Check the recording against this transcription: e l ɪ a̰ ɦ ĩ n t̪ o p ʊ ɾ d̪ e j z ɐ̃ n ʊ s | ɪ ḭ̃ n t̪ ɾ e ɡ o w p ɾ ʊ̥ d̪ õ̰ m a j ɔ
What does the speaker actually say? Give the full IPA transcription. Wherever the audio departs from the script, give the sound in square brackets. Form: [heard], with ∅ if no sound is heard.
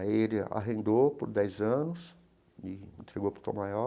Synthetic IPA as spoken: e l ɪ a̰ ɦ [ẽ] n [d̪] o p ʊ ɾ d̪ [ɛ] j z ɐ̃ n ʊ s | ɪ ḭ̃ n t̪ ɾ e ɡ o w p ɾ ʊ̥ [t̪] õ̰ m a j ɔ